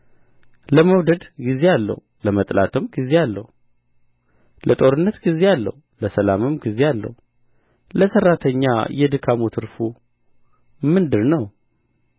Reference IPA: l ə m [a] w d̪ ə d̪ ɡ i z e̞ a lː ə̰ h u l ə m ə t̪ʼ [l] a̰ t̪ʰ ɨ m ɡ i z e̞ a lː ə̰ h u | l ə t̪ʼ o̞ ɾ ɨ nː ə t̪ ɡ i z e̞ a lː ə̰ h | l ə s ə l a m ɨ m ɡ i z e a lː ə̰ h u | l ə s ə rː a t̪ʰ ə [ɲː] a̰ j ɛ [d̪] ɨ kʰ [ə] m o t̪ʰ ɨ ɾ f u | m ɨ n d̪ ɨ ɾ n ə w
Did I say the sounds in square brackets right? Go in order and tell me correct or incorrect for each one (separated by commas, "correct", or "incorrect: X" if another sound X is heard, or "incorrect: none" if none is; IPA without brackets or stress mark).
incorrect: ə, correct, correct, correct, incorrect: a